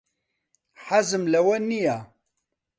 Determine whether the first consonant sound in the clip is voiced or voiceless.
voiceless